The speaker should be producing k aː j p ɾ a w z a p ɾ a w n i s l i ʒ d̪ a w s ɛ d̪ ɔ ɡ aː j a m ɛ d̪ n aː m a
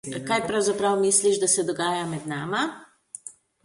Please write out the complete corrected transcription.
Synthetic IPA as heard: k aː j p ɾ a w z a p ɾ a w m i s l i ʒ d̪ a s ɛ d̪ ɔ ɡ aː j a m ɛ d̪ n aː m a